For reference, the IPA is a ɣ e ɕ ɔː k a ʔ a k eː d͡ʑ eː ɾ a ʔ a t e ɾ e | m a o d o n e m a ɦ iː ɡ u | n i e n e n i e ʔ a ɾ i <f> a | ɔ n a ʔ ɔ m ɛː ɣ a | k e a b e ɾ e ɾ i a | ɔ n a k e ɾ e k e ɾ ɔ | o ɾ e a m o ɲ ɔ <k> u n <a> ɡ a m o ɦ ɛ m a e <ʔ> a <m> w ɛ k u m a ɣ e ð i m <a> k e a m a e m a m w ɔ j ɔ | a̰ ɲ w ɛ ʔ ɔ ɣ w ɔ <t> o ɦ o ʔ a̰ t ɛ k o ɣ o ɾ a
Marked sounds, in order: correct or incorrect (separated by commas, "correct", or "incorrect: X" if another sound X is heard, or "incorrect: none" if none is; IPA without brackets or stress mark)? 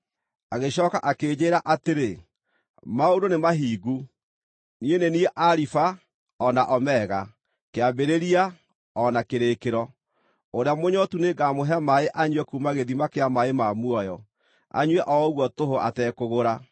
correct, incorrect: t, incorrect: e, correct, incorrect: ɲ, correct, correct